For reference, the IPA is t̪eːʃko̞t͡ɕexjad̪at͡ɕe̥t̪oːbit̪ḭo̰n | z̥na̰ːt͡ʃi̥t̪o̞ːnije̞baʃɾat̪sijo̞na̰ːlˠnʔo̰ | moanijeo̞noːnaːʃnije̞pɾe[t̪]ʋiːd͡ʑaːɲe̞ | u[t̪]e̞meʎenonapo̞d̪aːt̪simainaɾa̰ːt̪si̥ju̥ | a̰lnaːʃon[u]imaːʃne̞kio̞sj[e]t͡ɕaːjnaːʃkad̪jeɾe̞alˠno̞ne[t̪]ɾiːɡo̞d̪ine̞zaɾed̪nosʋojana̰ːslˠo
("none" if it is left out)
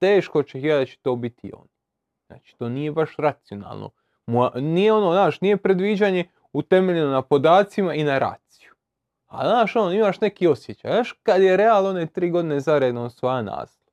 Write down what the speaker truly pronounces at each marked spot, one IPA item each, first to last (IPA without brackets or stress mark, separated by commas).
d̪, t̪, o, e, t̪